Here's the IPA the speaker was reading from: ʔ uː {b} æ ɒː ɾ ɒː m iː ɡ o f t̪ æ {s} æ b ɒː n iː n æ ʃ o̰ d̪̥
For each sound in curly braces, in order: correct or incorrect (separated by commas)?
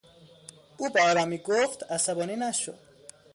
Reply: correct, correct